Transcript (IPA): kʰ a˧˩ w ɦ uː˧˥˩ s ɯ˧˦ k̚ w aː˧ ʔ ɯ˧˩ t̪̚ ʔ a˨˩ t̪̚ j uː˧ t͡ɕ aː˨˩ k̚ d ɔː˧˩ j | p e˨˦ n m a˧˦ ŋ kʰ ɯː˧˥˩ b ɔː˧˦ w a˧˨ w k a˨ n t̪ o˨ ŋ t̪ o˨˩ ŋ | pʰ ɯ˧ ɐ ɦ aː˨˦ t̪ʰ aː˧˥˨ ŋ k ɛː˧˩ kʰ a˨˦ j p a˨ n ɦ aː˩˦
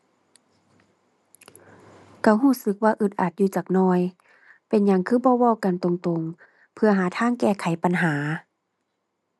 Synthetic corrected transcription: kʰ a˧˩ w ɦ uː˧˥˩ s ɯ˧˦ k̚ w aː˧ ʔ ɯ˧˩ t̪̚ ʔ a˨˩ t̪̚ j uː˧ t͡ɕ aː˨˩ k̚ n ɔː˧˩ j | p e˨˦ n ɲ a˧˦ ŋ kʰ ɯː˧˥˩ b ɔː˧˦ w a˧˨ w k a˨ n t̪ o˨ ŋ t̪ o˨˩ ŋ | pʰ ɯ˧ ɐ ɦ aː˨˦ t̪ʰ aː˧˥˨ ŋ k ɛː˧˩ kʰ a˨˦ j p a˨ n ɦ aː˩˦